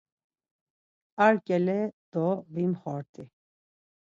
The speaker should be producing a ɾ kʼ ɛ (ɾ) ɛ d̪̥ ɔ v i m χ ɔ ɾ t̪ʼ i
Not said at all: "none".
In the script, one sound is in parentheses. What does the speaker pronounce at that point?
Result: l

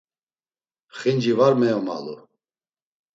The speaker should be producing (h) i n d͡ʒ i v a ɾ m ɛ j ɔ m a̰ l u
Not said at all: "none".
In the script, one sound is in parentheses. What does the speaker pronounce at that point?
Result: χ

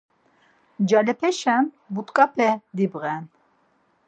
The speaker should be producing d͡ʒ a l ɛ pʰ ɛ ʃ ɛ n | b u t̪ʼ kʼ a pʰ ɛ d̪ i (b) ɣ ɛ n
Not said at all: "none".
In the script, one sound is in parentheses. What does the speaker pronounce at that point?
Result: b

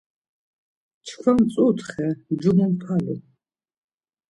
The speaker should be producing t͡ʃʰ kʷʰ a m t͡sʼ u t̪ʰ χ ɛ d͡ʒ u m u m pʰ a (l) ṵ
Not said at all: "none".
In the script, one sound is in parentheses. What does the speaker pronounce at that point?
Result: l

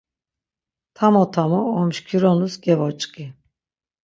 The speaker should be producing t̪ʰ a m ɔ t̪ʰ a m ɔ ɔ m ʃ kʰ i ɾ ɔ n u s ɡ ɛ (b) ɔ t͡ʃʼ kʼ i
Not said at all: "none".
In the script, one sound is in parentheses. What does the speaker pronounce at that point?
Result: v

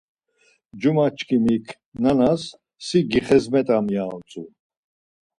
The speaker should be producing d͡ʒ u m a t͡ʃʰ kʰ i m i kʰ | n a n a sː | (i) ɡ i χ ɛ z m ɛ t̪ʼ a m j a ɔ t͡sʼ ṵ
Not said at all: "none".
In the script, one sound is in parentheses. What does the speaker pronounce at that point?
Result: i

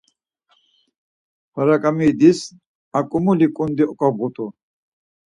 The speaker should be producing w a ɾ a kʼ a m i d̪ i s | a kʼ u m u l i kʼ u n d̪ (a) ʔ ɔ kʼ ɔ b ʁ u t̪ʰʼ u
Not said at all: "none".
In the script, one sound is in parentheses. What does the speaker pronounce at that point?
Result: i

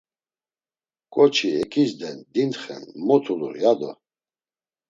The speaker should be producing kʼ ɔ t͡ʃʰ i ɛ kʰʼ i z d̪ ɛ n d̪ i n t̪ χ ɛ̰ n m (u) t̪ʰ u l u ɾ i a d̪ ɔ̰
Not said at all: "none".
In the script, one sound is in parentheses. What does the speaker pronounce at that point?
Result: ɔ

